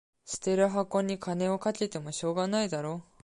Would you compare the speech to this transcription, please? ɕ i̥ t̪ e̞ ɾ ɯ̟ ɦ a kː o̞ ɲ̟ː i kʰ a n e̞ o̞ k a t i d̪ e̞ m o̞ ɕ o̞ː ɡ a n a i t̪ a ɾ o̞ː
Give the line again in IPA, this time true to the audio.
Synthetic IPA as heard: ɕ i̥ t̪ e̞ ɾ ɯ̟ ɦ a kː o̞ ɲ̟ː i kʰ a n e̞ o̞ k a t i t̪ e̞ m o̞ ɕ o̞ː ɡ a n a i d̪ a ɾ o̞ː